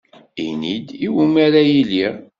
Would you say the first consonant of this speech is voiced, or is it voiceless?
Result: voiced